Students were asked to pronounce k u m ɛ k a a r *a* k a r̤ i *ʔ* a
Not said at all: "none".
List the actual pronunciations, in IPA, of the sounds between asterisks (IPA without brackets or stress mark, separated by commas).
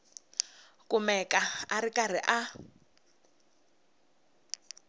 i, ʔ